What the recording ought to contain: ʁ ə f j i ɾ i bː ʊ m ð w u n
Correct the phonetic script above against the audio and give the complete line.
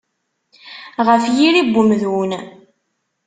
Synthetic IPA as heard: ʁ ə f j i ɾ i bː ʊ m ð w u n